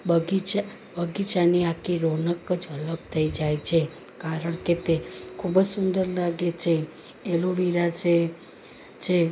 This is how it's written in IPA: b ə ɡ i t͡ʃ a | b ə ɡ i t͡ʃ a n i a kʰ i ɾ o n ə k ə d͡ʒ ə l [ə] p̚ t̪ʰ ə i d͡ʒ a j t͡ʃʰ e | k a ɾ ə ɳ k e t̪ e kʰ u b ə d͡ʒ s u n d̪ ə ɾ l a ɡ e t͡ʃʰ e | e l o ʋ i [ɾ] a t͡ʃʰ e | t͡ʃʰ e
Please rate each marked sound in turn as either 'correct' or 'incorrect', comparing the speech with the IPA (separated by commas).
correct, correct